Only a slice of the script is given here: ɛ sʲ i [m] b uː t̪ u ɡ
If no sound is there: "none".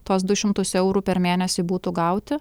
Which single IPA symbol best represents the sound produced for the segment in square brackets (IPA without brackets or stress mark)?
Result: none